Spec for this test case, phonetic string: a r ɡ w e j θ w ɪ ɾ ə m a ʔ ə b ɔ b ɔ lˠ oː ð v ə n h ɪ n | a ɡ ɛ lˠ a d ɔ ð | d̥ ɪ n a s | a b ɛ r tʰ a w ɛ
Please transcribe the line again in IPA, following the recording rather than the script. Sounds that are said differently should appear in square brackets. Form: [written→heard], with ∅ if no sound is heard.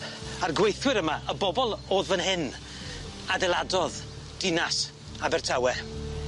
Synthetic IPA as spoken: a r ɡ w e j θ w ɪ ɾ ə m a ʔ ə b ɔ b ɔ lˠ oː ð v ə n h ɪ n | a [ɡ→d] ɛ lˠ a d ɔ ð | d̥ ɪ n a s | a b ɛ r tʰ a w ɛ